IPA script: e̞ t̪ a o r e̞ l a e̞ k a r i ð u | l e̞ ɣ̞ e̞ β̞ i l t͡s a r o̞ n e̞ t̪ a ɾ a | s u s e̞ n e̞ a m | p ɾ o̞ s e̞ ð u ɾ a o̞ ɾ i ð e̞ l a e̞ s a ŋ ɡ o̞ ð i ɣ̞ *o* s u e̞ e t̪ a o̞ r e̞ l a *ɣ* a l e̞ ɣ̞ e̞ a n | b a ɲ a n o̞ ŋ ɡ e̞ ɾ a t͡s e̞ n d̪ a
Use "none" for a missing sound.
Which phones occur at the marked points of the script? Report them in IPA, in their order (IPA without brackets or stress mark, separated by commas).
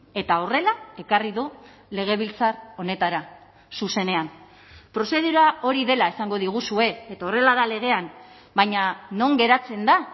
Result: u, ð